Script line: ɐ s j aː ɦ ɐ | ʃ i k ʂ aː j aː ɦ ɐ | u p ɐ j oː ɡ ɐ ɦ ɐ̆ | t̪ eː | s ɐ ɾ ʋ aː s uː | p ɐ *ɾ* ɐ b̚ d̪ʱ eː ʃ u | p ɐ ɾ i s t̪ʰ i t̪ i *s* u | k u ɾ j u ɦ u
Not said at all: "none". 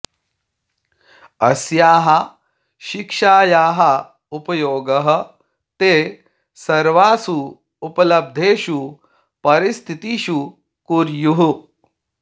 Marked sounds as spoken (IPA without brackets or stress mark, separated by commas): l, ʃ